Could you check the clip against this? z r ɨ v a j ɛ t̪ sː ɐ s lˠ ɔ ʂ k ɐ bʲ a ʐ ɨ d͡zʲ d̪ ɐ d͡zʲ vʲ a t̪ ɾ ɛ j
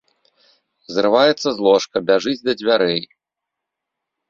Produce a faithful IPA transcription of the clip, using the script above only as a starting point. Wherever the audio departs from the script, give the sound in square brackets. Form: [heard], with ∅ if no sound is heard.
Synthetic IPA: z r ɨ v a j ɛ t̪ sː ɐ [z] lˠ ɔ ʂ k ɐ bʲ a ʐ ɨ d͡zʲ d̪ ɐ d͡zʲ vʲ a [∅] ɾ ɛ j